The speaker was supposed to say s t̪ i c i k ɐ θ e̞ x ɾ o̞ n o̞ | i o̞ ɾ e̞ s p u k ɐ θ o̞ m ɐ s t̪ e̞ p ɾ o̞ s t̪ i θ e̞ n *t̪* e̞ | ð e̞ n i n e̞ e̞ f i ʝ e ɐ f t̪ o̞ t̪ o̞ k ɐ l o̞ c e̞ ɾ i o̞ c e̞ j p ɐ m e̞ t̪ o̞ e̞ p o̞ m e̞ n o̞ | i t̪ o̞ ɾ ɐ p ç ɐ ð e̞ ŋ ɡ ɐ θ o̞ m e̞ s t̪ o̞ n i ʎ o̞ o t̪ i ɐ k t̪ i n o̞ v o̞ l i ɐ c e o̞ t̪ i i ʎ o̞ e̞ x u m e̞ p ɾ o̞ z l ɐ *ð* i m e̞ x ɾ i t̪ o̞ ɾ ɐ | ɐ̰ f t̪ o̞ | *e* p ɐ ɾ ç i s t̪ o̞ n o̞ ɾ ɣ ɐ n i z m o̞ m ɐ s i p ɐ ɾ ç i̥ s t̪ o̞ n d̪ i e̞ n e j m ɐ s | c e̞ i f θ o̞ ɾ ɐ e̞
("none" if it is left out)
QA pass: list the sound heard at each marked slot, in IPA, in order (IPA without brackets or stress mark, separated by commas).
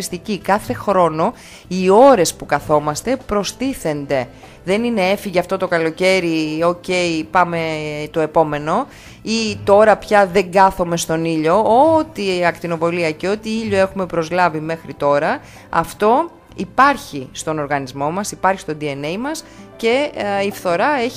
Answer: d̪, v, i